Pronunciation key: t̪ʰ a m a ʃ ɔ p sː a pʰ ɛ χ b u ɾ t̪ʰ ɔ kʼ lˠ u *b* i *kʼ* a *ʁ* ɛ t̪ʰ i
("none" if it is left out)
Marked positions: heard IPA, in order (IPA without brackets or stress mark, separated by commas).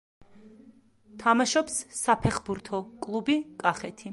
b, kʼ, χ